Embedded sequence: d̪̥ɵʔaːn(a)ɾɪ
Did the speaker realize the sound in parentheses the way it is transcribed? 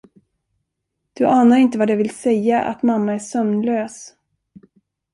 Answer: yes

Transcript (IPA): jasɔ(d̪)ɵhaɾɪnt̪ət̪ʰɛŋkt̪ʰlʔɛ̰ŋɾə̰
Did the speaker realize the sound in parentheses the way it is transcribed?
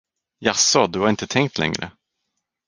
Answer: yes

